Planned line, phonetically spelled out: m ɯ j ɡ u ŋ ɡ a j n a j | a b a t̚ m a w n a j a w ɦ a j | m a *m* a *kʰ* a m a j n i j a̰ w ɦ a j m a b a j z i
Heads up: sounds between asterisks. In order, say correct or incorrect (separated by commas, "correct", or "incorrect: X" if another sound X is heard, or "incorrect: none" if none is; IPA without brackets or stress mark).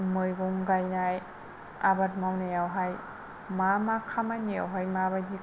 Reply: correct, correct